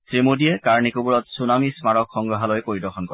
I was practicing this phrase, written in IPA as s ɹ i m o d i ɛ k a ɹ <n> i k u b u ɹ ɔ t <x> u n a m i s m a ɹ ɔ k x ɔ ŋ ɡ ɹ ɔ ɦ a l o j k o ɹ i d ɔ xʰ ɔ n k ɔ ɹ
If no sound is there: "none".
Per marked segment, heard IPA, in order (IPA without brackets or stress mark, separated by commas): n, s